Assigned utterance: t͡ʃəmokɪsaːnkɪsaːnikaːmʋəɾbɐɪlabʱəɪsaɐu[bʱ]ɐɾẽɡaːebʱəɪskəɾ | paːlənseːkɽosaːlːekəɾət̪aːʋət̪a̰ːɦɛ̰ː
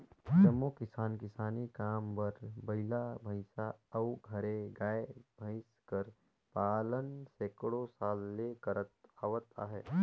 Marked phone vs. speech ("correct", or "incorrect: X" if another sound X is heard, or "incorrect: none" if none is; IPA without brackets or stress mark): incorrect: ɡʱ